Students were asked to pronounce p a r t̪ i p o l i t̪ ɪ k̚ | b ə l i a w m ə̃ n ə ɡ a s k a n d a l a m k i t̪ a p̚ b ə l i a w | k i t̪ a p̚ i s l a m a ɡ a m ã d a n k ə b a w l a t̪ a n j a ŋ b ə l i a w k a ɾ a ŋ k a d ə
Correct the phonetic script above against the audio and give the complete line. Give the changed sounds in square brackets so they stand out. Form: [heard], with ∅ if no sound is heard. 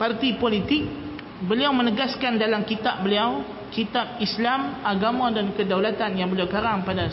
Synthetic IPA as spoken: p a r t̪ i p o l i t̪ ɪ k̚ | b ə l i a w m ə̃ n ə ɡ a s k a n d a l a m k i t̪ a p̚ b ə l i a w | k i t̪ a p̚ i s l a m a ɡ a m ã d a n k ə [d] a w l a t̪ a n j a ŋ b ə l i a w k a ɾ a ŋ [p] a d [a]